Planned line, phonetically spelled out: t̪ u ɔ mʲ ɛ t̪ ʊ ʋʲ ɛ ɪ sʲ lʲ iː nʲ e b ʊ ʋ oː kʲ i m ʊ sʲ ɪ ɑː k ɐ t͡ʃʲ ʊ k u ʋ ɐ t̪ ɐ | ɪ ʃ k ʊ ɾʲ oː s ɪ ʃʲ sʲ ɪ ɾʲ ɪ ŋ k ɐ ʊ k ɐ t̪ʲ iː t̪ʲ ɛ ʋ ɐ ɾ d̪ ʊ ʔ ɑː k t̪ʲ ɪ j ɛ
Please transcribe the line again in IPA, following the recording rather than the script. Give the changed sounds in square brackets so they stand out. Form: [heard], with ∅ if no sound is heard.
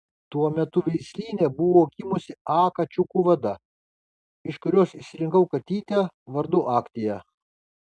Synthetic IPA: t̪ u ɔ mʲ ɛ t̪ ʊ ʋʲ ɛ ɪ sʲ lʲ iː nʲ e b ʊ ʋ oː kʲ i m ʊ sʲ ɪ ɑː k ɐ t͡ʃʲ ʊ k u ʋ ɐ [d̪] ɐ | ɪ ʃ k ʊ ɾʲ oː s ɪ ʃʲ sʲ ɪ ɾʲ ɪ ŋ k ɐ ʊ k ɐ t̪ʲ iː t̪ʲ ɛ ʋ ɐ ɾ d̪ ʊ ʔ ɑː k t̪ʲ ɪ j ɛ